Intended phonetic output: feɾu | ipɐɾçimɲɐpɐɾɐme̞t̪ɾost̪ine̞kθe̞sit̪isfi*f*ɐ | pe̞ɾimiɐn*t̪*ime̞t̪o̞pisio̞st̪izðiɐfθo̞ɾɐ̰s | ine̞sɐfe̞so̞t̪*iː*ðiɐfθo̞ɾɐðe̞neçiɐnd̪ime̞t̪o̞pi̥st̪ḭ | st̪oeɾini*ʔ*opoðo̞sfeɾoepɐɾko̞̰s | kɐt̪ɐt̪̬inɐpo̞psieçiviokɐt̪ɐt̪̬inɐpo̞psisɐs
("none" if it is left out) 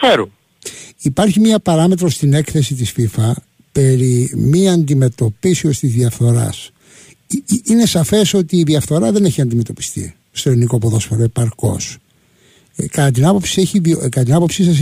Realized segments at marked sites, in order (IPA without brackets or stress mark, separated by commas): f, d̪, iː, k